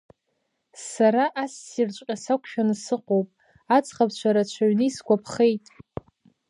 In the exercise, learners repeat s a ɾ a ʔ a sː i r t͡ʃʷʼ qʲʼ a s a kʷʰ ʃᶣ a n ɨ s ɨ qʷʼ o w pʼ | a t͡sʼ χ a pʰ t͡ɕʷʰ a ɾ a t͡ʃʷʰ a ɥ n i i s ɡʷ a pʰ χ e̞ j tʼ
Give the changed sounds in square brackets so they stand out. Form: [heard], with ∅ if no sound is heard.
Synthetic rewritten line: s a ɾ a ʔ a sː i r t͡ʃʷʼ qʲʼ a s a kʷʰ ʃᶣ a n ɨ s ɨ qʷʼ o w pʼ | a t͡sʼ χ a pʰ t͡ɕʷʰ a ɾ a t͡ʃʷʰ a ɥ n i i s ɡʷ a pʰ χ e̞ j tʼ